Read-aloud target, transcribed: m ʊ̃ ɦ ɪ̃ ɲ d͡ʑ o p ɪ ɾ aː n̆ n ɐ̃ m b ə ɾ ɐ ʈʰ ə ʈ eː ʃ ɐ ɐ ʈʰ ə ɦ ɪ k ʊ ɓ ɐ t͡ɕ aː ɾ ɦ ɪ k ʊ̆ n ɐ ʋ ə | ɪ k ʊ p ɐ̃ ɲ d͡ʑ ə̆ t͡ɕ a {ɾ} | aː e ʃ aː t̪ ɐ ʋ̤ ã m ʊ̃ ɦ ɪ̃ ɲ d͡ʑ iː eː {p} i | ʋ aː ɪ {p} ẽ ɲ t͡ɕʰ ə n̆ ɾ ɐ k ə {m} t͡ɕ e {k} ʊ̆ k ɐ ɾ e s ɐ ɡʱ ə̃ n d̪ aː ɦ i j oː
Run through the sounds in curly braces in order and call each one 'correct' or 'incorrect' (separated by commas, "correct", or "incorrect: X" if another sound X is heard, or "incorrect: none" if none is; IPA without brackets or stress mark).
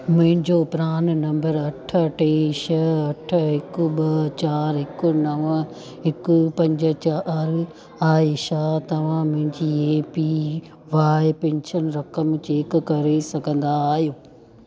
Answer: correct, correct, correct, correct, correct